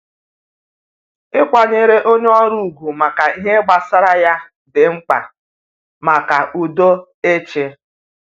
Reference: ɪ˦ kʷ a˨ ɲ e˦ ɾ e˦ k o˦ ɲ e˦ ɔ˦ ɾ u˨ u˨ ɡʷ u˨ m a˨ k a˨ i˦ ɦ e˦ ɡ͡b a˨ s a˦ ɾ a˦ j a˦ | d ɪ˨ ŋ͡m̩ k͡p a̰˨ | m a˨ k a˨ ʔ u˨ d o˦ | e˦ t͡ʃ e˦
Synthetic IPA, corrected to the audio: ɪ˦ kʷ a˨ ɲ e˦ ɾ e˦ ʔ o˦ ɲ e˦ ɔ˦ ɾ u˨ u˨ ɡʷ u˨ m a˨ k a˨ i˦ ɦ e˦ ɡ͡b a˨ s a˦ ɾ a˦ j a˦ | d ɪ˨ ŋ͡m̩ k͡p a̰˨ | m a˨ k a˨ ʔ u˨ d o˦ | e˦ t͡ʃ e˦